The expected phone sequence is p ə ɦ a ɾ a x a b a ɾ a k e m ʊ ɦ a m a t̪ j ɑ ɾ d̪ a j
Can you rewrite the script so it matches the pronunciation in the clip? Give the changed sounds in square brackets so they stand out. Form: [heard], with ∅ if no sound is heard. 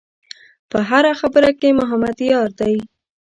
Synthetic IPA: p ə ɦ a ɾ a x a b [ə] ɾ a k e m ʊ ɦ a m a [d̪] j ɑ ɾ d̪ a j

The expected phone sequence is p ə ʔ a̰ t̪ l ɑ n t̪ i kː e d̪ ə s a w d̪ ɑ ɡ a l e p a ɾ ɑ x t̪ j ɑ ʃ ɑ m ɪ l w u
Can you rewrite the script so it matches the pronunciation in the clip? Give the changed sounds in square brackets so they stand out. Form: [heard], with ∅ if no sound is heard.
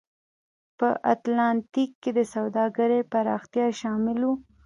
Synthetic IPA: p ə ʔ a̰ t̪ l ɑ n t̪ i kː e d̪ ə s a w d̪ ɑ ɡ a [ɾ] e p a ɾ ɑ x t̪ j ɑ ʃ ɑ m ɪ l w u

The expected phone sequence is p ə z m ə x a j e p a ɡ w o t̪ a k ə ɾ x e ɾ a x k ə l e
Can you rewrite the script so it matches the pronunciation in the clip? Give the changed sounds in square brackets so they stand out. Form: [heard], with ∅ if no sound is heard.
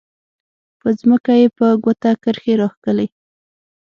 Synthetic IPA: p ə z m ə [k] a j e p [ə] ɡ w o t̪ a k ə ɾ x e ɾ [ɑ] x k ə l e

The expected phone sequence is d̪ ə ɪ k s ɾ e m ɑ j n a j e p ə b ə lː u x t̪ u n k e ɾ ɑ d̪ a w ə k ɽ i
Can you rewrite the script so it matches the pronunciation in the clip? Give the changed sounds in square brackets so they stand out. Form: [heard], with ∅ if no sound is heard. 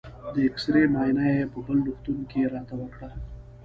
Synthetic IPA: d̪ ə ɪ k s ɾ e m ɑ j n a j e p ə b ə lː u x t̪ u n k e ɾ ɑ [t̪] a w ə k ɽ [a]

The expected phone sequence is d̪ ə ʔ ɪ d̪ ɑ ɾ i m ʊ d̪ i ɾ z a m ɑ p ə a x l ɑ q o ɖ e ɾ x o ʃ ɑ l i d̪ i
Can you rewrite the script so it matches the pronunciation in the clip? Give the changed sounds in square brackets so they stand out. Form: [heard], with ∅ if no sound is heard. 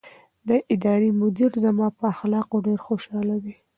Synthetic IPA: d̪ ə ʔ ɪ d̪ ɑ ɾ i m ʊ d̪ i ɾ z a m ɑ p ə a x l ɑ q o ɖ e ɾ x o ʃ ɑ l [a] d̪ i

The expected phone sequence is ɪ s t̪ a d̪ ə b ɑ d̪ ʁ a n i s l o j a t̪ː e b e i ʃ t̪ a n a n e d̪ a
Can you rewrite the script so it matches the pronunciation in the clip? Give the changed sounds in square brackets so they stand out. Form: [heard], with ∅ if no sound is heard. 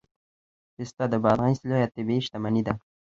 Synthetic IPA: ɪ s t̪ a d̪ ə b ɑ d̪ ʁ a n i s l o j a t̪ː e b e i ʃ t̪ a [m] a n [i] d̪ a

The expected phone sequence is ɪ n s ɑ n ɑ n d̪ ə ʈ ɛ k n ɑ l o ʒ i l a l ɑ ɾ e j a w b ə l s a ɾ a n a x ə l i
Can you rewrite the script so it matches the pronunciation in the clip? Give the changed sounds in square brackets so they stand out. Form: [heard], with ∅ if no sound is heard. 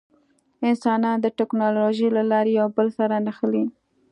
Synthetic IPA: ɪ n s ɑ n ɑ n d̪ ə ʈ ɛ k n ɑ l o ʒ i l a l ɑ ɾ e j a w b ə l s a ɾ a n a x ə l i

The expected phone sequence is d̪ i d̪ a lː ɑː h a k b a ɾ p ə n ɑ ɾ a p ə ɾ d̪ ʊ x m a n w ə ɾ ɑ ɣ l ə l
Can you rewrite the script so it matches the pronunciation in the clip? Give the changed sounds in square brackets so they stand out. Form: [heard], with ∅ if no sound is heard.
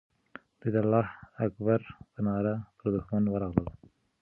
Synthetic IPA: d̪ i d̪ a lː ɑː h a k b a ɾ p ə n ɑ ɾ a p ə ɾ d̪ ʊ x m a n w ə ɾ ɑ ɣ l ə l

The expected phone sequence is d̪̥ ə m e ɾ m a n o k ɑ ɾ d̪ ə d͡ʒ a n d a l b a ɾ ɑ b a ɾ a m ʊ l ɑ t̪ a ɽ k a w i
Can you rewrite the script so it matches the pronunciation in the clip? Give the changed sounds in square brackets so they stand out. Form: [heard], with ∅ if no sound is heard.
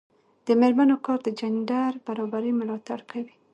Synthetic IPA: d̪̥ ə m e ɾ m a n o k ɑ ɾ d̪ ə d͡ʒ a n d a [ɾ] b a ɾ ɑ b a ɾ [i] m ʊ l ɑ t̪ a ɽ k a w i

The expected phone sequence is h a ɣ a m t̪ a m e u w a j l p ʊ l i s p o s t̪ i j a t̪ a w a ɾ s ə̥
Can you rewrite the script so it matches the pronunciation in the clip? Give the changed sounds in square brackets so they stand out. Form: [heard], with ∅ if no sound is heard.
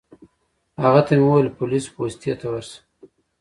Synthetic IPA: h a ɣ a [∅] t̪ a m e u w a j l p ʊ l i s p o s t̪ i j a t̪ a w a ɾ s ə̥

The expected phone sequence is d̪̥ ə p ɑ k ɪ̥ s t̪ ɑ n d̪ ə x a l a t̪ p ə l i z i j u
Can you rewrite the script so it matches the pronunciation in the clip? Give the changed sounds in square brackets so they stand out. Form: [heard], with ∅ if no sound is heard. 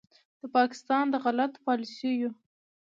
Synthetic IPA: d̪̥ ə p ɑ k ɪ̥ s t̪ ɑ n d̪ ə [ɣ] a l a t̪ p [ɑ] l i [s] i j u

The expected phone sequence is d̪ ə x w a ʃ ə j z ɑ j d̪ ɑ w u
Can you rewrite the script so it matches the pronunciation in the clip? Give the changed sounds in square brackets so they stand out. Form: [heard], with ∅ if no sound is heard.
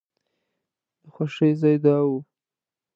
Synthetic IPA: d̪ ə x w a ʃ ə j z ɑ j d̪ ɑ w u

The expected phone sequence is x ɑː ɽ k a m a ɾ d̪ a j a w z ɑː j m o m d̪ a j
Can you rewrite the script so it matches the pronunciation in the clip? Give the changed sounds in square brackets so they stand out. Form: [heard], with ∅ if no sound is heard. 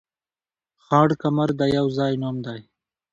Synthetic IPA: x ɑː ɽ k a m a ɾ d̪ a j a w z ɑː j [n] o m d̪ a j

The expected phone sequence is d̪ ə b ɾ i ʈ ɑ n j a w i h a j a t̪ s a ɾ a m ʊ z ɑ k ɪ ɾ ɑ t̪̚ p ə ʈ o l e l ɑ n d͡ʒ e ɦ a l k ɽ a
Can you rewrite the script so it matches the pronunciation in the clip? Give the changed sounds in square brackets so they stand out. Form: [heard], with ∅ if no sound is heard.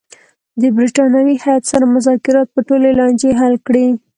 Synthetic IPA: d̪ ə b ɾ i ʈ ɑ n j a w i h a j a t̪ s a ɾ a m ʊ z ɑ k ɪ ɾ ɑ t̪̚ p ə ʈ o l e l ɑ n d͡ʒ e ɦ a l k ɽ [i]

